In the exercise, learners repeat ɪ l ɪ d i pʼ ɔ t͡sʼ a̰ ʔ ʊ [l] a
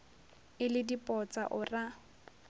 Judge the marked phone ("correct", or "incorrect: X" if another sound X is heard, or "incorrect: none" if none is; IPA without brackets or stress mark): incorrect: r